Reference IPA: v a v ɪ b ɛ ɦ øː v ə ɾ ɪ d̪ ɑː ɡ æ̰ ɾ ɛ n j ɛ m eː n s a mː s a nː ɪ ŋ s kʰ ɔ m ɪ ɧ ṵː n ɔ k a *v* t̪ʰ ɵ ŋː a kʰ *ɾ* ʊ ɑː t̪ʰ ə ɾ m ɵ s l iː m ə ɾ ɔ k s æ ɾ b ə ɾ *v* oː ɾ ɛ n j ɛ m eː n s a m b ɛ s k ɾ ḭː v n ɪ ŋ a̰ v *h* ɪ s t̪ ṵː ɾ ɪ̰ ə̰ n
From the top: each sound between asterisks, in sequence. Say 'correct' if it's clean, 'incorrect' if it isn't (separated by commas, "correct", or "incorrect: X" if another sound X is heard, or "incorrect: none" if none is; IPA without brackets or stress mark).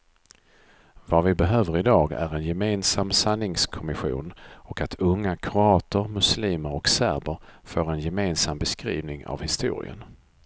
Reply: incorrect: none, correct, incorrect: f, correct